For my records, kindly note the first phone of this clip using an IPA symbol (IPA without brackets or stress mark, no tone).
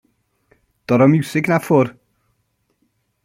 d̥